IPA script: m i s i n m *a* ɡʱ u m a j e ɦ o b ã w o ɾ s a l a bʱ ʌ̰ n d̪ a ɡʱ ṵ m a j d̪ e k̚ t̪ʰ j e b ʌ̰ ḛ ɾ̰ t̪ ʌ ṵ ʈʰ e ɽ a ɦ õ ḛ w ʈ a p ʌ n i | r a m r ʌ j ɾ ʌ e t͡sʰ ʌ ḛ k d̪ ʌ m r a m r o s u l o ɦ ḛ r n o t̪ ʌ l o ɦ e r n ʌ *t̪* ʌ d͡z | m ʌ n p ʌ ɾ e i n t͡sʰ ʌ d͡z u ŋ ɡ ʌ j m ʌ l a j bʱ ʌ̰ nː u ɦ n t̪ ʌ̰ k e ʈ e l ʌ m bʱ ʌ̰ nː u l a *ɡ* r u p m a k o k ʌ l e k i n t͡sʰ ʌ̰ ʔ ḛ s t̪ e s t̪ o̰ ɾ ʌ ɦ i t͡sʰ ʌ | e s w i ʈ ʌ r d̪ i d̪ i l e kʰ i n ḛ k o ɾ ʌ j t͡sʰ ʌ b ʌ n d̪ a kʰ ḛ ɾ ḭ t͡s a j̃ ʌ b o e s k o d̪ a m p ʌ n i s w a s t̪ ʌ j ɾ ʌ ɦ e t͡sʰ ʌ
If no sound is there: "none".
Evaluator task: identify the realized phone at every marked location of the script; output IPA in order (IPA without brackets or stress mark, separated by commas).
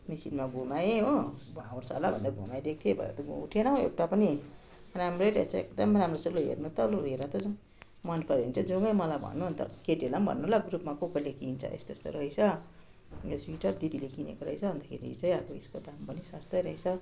a, t̪, ɡ